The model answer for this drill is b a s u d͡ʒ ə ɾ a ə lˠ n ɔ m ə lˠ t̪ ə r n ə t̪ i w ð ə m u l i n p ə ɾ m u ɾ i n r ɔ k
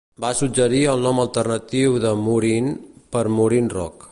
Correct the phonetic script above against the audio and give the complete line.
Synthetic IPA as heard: b a s u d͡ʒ ə ɾ i ə lˠ n ɔ m ə lˠ t̪ ə r n ə t̪ i w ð ə m u ɾ i n p ə ɾ m u ɾ i n r ɔ k